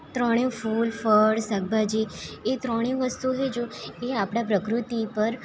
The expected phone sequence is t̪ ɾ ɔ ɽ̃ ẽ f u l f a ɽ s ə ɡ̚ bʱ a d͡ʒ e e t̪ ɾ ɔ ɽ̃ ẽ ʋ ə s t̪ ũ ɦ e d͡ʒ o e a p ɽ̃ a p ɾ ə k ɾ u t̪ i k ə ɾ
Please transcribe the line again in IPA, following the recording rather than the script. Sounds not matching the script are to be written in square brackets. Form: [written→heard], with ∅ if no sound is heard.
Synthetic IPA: t̪ ɾ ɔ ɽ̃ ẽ f u l f [a→ə] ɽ s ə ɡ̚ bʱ a d͡ʒ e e t̪ ɾ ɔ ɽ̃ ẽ ʋ ə s t̪ [ũ→u] ɦ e d͡ʒ o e a p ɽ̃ a p ɾ ə k ɾ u t̪ i [k→p] ə ɾ